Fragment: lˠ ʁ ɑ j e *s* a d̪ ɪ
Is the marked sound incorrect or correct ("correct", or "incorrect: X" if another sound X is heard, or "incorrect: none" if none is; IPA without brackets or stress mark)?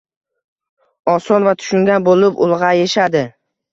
incorrect: ʃ